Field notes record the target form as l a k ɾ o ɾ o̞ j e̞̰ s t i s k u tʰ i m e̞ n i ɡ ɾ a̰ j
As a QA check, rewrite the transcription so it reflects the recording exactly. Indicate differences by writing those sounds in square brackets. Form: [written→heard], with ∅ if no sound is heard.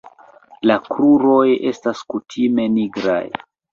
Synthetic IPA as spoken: l a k ɾ [o→u] ɾ o̞ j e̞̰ s t [i→a] s k u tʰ i m e̞ n i ɡ ɾ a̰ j